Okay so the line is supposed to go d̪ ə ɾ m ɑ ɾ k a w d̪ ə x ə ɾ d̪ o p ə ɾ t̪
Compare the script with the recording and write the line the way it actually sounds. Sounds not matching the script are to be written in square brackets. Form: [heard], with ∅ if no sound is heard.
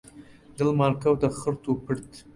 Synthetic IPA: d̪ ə [l] m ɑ ɾ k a w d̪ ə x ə ɾ [t̪] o p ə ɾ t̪